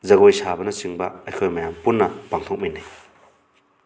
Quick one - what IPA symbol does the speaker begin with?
z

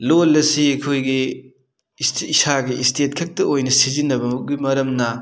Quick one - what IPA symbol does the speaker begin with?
l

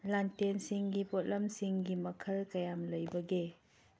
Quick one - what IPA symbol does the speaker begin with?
l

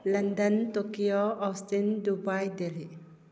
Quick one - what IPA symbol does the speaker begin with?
l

